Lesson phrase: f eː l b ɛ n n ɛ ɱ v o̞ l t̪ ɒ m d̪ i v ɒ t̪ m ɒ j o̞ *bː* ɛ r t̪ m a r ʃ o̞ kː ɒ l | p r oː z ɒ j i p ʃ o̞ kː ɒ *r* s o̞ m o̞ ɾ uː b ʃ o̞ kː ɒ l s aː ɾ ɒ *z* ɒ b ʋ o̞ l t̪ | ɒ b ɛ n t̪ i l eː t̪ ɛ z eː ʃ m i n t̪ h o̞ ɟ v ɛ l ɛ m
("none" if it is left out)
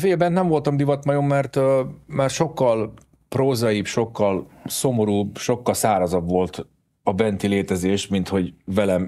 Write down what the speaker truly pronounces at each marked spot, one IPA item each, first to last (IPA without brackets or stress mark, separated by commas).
mː, l, z